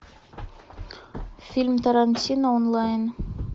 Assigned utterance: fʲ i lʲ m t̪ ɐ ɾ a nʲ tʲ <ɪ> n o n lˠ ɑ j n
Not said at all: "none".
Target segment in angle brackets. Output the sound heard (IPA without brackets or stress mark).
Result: i